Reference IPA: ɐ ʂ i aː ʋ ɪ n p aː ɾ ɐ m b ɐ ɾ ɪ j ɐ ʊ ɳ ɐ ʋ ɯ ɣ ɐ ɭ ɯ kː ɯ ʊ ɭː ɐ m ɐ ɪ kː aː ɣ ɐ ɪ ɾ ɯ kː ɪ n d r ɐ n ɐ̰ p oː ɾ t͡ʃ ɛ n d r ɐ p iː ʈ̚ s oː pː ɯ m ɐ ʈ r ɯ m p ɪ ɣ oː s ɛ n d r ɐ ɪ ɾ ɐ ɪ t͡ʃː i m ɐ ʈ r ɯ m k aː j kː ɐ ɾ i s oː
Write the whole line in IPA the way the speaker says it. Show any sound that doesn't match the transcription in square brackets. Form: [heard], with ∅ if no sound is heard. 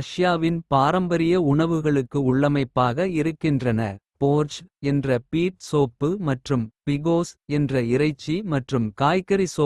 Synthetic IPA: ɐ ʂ [j] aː ʋ ɪ n p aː ɾ ɐ m b ɐ ɾ ɪ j ɐ ʊ ɳ ɐ ʋ ɯ ɣ ɐ ɭ ɯ kː ɯ ʊ ɭː ɐ m ɐ ɪ [pː] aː ɣ ɐ ɪ ɾ ɯ kː ɪ n d r ɐ n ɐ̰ p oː ɾ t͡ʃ ɛ n d r ɐ p iː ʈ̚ s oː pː ɯ m ɐ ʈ r ɯ m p ɪ ɣ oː s ɛ n d r ɐ ɪ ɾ ɐ ɪ t͡ʃː i m ɐ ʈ r ɯ m k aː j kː ɐ ɾ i s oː